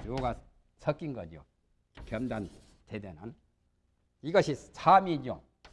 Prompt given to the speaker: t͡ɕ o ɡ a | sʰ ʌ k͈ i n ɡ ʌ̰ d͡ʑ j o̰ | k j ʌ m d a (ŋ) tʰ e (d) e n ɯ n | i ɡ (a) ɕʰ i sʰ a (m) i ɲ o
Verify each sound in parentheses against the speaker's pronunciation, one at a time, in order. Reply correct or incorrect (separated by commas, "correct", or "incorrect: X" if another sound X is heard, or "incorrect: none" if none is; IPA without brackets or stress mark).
incorrect: n, correct, incorrect: ʌ, correct